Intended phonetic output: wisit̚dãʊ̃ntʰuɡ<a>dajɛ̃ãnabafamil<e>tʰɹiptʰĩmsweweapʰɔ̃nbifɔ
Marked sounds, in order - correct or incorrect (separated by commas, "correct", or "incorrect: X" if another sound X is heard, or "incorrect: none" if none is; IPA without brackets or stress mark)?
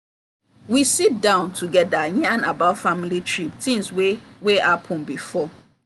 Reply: incorrect: ɛ, incorrect: i